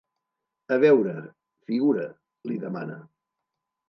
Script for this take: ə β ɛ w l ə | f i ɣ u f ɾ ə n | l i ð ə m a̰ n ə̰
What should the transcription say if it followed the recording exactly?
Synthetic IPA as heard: ə β ɛ w ɾ ə | f i ɣ u ɾ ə | l i ð ə m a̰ n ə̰